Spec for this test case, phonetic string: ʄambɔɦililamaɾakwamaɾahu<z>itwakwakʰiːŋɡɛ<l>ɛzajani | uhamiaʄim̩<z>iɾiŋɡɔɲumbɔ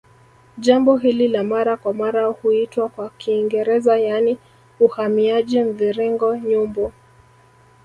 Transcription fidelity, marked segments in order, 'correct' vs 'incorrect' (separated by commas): incorrect, incorrect, incorrect